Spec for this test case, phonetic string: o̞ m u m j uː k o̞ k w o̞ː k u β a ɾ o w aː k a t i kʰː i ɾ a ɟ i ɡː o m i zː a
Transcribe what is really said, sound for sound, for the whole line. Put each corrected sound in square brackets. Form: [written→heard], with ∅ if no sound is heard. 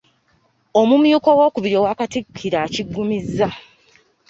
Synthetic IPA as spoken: o̞ m u m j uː k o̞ [k→∅] w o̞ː k u β [a→i] ɾ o w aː k a t i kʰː i ɾ a [ɟ→c] i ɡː [o→u] m i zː a